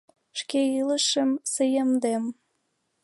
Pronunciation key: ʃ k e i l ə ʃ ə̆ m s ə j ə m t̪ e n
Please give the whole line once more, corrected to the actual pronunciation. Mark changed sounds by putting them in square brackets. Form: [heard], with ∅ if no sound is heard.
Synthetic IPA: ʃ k e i l ə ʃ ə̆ m s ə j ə m [d̪] e [m]